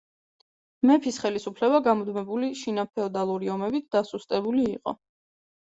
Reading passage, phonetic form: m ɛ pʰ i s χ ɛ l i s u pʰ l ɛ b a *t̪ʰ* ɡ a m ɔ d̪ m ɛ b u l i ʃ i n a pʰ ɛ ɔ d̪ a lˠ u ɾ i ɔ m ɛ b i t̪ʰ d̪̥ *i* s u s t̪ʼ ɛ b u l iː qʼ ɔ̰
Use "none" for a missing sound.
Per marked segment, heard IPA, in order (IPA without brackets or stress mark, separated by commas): none, a